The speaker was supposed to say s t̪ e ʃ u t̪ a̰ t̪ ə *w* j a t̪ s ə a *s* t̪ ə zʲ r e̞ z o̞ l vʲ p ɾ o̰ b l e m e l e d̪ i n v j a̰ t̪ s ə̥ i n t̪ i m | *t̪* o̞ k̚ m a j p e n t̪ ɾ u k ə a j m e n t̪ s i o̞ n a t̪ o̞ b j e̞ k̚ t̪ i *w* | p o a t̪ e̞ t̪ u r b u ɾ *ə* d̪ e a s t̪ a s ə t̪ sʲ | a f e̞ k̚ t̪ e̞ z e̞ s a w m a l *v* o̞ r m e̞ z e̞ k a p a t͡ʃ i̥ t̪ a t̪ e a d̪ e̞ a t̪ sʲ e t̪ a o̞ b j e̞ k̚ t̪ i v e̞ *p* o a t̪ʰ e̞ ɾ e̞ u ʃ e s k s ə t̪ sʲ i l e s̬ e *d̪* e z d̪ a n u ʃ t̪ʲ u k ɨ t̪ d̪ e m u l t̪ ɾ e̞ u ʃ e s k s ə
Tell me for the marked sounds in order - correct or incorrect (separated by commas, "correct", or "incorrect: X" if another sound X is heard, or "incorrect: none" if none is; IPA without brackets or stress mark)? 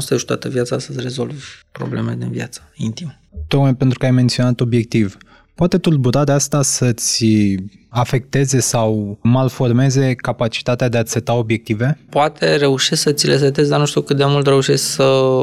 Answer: incorrect: v, correct, correct, incorrect: v, incorrect: a, incorrect: f, correct, incorrect: t̪